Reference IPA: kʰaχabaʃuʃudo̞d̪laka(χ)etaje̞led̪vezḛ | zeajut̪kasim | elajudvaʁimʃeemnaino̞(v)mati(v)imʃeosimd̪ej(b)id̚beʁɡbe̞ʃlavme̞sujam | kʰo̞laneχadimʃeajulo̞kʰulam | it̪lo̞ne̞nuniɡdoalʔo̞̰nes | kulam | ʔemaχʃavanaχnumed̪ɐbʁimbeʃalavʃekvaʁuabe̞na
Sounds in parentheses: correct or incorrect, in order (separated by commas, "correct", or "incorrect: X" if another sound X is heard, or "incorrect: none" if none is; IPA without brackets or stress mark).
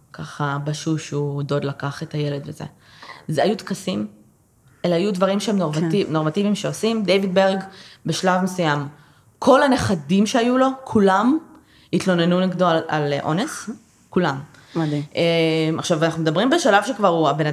correct, incorrect: ʁ, correct, incorrect: v